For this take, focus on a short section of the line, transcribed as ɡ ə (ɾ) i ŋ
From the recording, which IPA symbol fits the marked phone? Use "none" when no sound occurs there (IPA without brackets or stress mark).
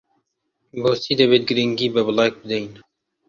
ɾ